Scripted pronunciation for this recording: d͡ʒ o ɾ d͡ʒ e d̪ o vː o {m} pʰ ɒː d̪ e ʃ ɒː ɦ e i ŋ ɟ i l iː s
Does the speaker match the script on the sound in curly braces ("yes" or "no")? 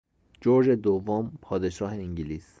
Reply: yes